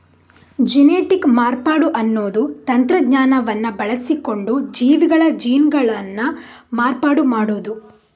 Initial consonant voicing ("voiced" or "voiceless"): voiced